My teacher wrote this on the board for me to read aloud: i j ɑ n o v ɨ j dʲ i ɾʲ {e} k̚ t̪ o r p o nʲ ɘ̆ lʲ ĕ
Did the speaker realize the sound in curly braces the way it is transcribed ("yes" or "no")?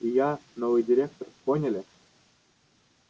yes